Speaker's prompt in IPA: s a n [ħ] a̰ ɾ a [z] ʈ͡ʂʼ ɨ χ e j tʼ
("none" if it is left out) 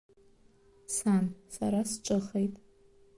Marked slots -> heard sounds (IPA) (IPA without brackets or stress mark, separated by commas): s, s